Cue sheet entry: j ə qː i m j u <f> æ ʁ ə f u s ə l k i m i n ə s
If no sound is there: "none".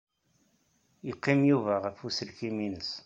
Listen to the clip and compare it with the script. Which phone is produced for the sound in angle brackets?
v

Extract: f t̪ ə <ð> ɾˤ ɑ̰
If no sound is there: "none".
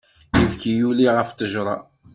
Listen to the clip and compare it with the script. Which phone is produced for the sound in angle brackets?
ʒ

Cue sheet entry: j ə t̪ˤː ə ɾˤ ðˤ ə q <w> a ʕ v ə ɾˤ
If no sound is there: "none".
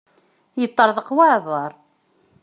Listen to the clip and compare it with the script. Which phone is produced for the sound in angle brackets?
w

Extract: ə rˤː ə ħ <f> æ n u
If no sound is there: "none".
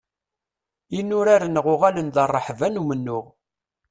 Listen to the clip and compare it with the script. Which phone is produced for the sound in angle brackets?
v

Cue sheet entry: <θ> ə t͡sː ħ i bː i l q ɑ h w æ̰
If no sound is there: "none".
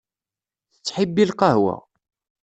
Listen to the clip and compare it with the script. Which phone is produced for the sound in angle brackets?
θ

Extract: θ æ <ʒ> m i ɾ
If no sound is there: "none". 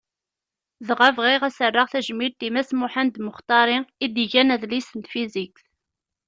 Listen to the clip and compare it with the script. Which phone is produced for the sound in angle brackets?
ʒ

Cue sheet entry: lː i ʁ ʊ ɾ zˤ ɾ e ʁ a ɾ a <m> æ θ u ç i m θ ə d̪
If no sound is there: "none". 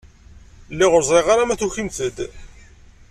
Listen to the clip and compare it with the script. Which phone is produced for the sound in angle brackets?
m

